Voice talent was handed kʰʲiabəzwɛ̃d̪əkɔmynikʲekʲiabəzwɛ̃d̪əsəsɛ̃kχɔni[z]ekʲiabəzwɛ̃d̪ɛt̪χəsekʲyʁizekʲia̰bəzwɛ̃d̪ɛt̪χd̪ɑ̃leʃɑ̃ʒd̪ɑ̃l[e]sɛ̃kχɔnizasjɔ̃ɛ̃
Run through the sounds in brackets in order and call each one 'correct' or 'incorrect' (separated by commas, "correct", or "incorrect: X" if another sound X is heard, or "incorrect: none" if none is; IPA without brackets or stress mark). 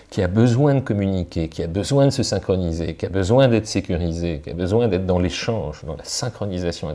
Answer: correct, incorrect: a